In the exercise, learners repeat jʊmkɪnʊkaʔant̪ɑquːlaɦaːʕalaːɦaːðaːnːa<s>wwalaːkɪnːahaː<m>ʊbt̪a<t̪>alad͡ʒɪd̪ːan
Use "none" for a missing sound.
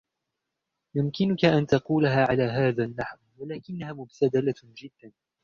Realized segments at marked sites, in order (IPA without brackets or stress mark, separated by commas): ħ, m, d̪